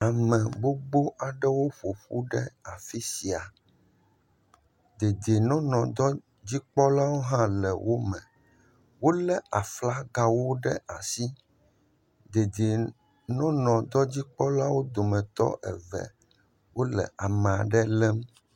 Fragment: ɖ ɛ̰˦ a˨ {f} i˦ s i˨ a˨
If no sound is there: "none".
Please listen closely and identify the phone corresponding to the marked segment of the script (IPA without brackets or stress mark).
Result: f